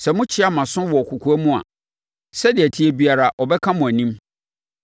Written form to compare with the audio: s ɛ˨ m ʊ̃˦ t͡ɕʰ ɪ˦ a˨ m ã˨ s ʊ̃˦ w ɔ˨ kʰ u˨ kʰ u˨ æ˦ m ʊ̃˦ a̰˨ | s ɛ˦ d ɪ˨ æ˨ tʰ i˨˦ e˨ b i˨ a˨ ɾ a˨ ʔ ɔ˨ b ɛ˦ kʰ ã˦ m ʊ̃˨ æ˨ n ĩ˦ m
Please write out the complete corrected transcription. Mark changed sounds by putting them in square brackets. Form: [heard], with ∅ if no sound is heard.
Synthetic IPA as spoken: s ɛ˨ m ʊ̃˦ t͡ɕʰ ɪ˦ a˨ m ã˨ s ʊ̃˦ w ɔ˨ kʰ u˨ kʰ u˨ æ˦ m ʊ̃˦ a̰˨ | s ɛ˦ d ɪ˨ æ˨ tʰ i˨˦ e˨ b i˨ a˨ ɾ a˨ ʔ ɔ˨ b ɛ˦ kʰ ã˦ m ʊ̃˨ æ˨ n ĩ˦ m